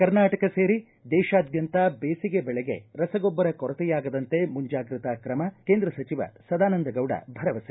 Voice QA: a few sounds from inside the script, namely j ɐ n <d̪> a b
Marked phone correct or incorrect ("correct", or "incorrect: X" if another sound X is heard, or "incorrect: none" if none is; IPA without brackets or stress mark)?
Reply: incorrect: t̪